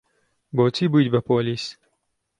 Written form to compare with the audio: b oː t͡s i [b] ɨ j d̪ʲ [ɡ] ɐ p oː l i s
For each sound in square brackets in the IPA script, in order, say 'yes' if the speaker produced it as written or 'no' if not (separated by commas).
yes, no